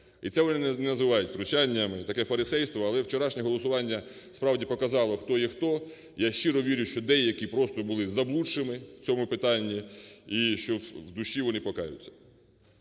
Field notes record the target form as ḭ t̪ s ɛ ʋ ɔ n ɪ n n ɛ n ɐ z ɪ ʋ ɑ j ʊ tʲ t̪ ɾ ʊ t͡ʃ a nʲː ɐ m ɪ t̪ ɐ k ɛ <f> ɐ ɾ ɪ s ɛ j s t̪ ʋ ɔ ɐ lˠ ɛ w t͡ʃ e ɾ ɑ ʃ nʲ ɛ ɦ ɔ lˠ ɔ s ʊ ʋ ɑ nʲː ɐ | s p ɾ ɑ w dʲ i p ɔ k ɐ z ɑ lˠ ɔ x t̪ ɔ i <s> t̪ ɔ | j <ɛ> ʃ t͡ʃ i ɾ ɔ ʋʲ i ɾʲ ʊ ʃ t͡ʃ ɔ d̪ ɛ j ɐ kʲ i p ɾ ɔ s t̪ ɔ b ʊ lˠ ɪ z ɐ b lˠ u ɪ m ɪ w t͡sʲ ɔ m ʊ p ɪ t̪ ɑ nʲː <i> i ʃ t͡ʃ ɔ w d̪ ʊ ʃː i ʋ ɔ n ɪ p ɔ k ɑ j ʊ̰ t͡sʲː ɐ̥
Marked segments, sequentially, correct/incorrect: correct, incorrect, incorrect, correct

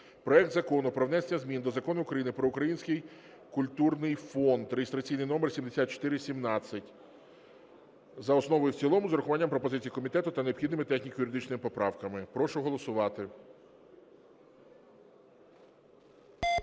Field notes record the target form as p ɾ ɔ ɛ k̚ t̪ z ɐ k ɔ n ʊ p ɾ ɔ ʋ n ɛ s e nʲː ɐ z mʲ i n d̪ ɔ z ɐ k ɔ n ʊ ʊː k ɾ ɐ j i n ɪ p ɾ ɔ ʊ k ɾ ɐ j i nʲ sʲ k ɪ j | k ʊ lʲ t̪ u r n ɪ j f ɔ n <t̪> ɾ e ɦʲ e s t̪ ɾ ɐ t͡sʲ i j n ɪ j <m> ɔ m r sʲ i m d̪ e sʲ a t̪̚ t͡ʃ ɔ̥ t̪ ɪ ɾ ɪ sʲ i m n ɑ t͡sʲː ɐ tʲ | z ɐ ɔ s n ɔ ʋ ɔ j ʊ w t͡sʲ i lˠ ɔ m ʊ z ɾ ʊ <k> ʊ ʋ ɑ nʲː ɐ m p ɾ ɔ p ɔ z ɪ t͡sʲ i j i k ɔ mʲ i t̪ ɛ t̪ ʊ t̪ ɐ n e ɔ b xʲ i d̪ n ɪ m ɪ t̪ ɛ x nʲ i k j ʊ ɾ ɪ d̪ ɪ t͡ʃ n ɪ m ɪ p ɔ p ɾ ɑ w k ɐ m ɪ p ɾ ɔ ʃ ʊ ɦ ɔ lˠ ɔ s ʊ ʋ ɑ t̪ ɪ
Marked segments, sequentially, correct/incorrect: incorrect, incorrect, incorrect

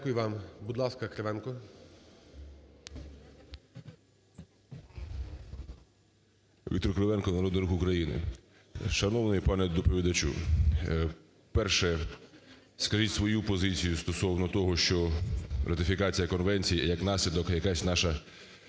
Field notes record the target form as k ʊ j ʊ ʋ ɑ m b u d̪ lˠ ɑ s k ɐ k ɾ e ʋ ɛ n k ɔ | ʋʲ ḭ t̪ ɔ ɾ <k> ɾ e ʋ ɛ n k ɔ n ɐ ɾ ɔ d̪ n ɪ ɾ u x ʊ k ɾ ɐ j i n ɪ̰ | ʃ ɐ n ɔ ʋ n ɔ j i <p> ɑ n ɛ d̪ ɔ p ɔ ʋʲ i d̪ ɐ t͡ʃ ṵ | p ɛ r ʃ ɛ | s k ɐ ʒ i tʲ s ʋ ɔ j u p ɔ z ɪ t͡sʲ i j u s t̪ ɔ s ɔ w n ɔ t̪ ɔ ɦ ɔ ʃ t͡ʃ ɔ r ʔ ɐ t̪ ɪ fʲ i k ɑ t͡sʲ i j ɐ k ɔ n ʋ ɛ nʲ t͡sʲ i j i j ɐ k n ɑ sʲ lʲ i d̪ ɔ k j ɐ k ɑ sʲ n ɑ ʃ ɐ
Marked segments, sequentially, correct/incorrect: correct, correct

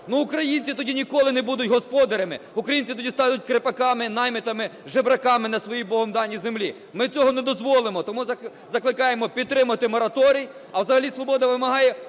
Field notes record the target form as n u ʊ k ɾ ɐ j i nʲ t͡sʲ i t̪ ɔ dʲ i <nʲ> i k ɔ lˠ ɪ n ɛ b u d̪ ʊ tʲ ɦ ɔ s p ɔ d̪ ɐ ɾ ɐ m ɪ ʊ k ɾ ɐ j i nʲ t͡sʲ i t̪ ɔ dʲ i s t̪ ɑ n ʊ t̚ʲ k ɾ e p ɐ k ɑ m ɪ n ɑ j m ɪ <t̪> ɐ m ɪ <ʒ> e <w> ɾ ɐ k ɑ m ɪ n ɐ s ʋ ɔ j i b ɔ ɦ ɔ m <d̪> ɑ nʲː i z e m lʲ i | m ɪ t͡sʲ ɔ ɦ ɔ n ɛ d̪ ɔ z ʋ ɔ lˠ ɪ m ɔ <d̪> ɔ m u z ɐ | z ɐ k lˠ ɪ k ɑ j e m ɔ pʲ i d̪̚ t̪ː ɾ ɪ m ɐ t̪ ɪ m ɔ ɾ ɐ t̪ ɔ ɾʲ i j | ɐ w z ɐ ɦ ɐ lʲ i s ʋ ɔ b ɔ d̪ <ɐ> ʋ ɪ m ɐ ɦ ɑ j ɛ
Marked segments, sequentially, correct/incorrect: correct, correct, correct, incorrect, correct, incorrect, correct

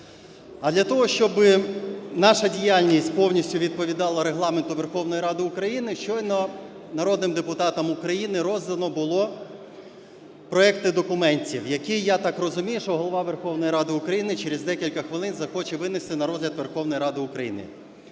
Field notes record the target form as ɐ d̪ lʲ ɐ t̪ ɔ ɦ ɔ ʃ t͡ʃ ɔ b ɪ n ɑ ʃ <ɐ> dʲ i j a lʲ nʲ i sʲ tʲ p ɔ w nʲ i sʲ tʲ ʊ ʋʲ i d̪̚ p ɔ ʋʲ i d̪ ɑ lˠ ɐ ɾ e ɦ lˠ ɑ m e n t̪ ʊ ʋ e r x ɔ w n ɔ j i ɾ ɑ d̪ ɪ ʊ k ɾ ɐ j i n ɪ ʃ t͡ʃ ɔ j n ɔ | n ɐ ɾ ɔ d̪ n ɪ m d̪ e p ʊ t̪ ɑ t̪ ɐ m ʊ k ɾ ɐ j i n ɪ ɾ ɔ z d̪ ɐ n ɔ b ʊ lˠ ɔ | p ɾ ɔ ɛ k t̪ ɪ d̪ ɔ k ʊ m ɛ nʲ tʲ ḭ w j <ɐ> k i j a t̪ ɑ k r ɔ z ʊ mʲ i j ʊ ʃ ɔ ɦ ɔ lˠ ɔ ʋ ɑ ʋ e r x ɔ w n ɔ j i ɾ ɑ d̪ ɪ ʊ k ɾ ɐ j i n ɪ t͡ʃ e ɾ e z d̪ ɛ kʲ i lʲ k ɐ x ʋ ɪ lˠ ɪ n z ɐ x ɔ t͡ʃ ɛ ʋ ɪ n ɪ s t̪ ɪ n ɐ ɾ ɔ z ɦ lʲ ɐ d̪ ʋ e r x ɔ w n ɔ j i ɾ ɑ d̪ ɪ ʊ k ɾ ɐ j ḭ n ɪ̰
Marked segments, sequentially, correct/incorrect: correct, correct

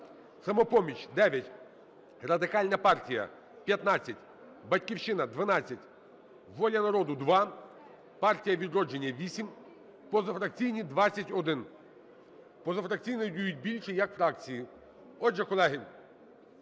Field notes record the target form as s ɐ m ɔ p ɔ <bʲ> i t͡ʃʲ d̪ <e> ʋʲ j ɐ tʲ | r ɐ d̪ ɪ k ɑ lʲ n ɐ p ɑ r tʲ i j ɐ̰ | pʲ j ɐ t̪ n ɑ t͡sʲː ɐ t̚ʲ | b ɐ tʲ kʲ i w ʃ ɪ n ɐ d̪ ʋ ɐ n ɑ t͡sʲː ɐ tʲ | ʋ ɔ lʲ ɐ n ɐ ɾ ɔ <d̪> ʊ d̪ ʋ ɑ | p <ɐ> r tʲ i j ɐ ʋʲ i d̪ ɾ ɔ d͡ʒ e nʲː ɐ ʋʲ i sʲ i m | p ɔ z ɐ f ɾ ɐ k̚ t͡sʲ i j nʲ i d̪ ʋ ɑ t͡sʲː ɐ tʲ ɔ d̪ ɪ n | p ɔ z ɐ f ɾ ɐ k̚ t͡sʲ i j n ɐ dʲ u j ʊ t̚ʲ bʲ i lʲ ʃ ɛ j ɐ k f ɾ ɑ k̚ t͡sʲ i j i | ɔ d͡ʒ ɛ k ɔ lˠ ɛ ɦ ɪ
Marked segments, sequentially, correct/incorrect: incorrect, incorrect, correct, incorrect

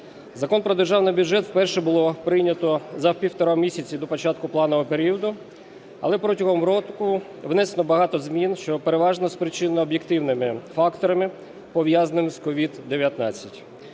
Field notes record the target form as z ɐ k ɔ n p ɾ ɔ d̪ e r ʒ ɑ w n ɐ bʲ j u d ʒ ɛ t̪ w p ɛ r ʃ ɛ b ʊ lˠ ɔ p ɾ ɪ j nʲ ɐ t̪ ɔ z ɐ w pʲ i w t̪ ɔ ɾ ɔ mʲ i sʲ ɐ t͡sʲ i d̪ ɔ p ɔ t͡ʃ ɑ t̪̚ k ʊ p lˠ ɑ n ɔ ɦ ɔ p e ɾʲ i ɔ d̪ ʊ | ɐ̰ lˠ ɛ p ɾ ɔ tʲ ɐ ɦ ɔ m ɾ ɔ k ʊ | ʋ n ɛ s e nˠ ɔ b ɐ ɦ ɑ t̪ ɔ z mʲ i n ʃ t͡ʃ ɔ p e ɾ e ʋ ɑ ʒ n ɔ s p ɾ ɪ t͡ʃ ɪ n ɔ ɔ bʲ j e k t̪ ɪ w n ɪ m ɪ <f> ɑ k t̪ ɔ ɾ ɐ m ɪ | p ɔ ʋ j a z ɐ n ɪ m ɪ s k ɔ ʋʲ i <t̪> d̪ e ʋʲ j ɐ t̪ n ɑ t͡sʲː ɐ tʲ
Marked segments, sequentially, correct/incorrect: correct, incorrect

